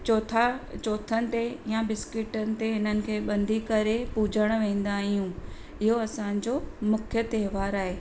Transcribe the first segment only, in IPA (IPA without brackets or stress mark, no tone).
t͡ɕ